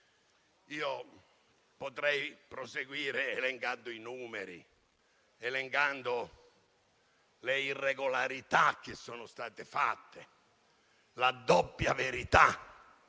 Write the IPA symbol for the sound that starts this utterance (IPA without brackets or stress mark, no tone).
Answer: iː